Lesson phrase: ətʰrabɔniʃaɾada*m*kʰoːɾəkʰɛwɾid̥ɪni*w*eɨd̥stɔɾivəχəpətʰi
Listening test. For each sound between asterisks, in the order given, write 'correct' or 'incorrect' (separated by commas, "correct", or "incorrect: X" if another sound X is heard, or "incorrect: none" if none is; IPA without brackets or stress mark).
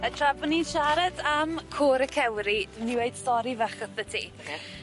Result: correct, correct